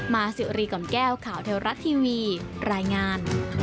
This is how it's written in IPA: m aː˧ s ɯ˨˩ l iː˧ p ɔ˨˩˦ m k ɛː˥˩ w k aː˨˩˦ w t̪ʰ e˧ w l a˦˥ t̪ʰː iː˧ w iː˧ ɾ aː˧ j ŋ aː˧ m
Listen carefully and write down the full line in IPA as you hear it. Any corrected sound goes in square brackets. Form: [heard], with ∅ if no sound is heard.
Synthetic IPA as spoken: m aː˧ s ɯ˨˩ [ɾ] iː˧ [k] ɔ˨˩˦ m k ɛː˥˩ w [kʰ] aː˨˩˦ w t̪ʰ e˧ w [ɾ] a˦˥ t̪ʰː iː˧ w iː˧ ɾ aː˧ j ŋ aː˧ [n]